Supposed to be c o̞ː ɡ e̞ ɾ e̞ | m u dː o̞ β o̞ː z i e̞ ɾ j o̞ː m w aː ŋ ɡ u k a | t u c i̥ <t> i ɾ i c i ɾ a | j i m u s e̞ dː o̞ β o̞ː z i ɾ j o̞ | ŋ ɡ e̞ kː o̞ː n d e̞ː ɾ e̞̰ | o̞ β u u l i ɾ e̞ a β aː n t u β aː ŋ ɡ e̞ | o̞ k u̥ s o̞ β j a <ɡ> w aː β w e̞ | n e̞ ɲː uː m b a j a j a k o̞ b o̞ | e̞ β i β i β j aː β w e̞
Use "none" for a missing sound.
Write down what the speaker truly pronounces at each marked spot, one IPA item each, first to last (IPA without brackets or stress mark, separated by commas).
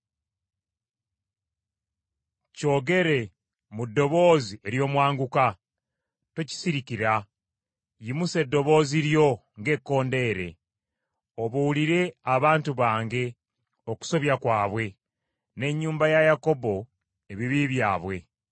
s, k